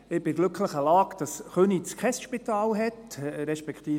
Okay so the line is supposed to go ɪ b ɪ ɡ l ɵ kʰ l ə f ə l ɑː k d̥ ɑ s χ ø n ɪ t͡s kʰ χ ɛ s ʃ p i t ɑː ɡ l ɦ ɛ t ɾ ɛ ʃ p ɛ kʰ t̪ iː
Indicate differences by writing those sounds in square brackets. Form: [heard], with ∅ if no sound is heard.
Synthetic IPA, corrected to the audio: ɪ b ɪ ɡ l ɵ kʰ l ə [χ] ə l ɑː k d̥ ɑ s χ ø n [i] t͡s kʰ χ ɛ s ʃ p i t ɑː [∅] l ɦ ɛ t ɾ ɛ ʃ p ɛ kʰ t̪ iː